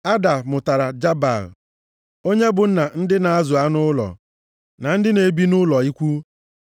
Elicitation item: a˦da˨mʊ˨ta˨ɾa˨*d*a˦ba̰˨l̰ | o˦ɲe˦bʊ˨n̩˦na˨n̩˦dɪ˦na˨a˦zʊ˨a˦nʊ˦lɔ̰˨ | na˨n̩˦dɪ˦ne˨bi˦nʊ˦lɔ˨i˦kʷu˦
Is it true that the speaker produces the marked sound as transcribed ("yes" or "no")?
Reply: no